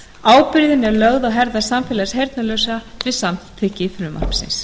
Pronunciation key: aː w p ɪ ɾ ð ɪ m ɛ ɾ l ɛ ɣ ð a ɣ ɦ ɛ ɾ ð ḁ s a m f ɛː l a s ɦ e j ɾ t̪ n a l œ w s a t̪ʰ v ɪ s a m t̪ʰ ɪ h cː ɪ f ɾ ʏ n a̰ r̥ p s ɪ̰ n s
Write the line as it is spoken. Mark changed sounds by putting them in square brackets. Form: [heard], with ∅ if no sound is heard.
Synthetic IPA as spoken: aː w p ɪ ɾ ð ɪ [n] ɛ ɾ l [œ] ɣ ð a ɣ ɦ ɛ ɾ ð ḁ s a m f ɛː l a s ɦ e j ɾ t̪ n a l œ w s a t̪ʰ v ɪ s a m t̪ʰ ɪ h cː ɪ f ɾ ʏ [m] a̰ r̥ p s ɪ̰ n s